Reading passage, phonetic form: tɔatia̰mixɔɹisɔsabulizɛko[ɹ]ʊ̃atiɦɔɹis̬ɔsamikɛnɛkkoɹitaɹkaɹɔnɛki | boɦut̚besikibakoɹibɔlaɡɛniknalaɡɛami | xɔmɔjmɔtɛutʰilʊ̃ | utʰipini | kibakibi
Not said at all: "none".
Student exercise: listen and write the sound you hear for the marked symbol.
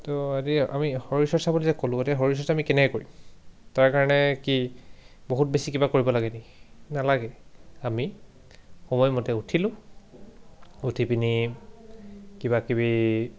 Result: l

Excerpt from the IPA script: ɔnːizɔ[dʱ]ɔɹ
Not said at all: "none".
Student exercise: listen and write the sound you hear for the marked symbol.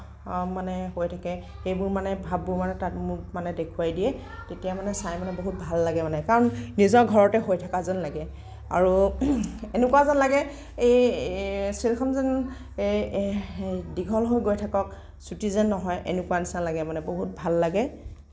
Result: ɡʱ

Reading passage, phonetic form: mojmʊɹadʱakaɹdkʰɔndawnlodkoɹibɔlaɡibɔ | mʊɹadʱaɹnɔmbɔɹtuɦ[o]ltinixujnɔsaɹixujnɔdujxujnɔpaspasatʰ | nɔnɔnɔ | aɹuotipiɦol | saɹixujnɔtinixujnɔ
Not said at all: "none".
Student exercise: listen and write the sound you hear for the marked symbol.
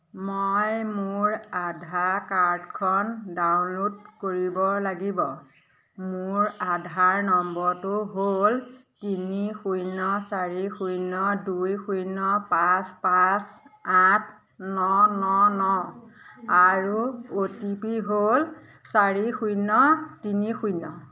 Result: o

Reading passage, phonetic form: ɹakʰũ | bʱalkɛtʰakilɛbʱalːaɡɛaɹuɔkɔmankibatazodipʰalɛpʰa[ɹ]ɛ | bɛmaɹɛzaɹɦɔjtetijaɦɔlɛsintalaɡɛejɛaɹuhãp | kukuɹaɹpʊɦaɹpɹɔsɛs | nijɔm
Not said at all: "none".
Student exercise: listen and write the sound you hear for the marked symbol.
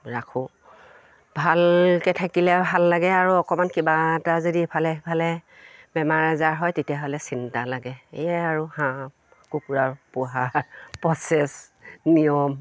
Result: l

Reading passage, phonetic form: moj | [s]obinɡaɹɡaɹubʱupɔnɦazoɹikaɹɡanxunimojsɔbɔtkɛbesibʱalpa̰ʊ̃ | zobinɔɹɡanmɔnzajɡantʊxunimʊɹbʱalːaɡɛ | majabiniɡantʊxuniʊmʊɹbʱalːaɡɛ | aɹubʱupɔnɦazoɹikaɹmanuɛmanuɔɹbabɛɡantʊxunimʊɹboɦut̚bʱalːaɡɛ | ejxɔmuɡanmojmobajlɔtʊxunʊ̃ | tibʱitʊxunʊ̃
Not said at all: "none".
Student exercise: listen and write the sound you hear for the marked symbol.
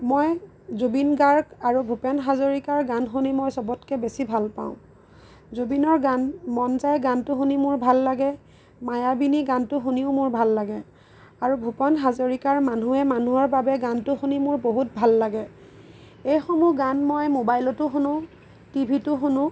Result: z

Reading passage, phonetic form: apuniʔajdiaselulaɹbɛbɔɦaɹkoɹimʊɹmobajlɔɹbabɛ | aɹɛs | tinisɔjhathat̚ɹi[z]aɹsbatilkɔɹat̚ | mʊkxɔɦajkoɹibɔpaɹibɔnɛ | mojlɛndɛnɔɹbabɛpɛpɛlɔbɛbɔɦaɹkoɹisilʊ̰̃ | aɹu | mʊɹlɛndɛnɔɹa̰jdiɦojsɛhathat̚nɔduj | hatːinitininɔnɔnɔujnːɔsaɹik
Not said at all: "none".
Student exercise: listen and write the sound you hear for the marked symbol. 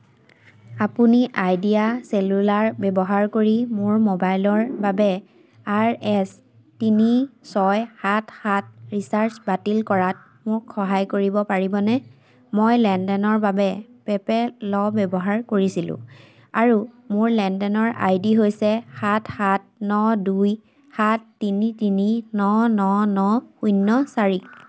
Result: s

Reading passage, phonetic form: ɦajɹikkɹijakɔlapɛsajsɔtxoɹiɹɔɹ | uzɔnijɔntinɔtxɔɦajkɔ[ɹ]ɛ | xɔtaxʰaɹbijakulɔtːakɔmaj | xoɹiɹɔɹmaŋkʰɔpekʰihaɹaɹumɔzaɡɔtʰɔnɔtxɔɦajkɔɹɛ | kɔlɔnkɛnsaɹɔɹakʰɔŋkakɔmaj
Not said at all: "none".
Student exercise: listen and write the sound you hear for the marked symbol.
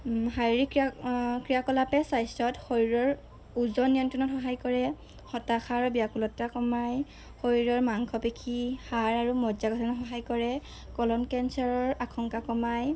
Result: ɹ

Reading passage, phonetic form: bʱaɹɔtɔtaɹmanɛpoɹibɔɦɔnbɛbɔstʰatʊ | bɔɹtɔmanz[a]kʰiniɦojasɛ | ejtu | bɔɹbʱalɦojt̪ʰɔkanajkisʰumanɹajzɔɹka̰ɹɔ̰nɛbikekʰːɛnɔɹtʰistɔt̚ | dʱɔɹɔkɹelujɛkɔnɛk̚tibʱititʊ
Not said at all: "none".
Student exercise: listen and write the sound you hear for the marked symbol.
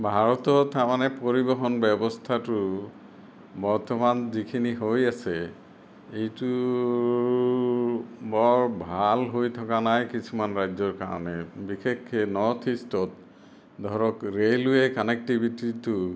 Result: i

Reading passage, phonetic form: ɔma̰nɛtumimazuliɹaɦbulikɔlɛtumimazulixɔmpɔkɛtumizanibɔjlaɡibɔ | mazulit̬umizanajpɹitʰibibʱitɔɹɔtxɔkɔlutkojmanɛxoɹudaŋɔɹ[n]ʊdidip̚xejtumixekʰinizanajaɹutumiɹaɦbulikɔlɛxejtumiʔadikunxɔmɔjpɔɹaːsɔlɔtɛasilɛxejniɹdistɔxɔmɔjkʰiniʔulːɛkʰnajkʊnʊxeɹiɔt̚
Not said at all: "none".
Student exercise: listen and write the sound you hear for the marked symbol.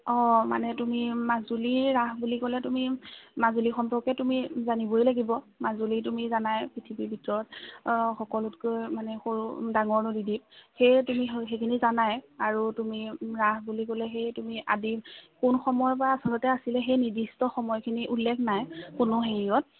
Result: n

